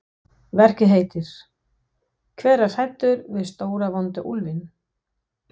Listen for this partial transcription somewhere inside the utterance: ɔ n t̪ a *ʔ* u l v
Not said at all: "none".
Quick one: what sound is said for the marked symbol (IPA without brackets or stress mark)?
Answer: ʔ